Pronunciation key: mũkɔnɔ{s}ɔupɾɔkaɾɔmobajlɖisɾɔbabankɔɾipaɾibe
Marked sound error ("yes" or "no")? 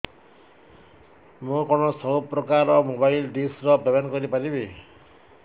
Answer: no